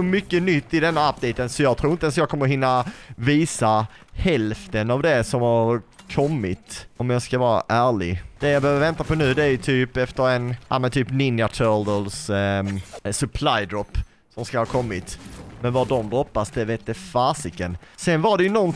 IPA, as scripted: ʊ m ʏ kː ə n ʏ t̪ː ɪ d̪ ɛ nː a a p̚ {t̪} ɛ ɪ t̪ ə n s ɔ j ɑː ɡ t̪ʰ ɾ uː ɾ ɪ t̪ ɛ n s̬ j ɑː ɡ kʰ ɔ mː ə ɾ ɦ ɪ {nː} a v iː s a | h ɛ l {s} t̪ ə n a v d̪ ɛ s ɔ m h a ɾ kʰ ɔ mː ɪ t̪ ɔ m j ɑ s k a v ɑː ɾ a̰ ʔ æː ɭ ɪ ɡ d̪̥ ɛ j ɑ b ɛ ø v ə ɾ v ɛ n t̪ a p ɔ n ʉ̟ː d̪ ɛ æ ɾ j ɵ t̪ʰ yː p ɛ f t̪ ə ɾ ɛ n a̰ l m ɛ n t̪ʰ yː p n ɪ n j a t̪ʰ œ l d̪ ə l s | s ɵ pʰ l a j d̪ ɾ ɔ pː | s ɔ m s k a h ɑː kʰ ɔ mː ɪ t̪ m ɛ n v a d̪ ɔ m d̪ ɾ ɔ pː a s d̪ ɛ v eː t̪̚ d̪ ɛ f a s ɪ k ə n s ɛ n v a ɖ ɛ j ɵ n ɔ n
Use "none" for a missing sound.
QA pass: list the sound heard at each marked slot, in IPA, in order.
d̪, nː, f

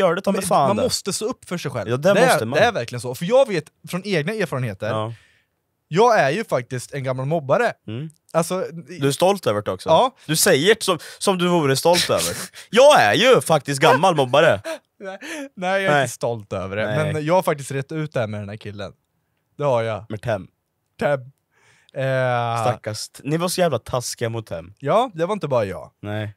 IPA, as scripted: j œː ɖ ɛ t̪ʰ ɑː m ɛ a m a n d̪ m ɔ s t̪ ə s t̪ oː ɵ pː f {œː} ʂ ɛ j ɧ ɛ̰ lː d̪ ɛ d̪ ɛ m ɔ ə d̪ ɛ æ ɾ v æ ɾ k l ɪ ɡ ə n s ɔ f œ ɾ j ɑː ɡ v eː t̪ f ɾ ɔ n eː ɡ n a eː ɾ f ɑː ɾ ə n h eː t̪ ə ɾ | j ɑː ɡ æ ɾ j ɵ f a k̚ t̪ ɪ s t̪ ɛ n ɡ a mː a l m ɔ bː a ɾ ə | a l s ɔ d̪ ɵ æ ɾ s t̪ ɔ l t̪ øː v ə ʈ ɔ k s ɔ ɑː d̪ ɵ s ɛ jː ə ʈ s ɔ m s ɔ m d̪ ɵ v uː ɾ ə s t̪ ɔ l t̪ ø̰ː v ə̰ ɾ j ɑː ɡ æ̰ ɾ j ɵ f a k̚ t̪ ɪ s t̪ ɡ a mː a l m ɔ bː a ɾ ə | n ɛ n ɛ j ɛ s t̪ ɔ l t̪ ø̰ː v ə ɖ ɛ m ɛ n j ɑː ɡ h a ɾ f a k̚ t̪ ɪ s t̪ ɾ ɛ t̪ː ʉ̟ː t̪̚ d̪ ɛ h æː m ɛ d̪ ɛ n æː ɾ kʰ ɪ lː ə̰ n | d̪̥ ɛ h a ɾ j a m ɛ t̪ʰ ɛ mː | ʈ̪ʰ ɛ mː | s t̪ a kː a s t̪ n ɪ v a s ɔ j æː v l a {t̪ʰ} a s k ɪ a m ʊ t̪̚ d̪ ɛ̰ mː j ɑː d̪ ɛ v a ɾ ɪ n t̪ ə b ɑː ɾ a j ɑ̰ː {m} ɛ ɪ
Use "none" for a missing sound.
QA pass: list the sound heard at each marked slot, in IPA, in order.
œ, t̪ʰ, n

